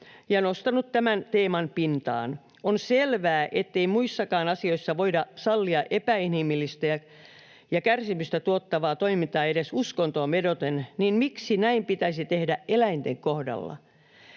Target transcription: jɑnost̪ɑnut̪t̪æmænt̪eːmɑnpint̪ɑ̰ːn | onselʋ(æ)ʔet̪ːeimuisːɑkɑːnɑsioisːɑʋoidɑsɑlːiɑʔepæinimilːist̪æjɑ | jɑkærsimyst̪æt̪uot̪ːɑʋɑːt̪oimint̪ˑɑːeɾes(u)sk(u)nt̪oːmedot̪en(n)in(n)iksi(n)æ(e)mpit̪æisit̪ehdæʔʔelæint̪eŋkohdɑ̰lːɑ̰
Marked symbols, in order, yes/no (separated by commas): no, yes, no, yes, no, yes, no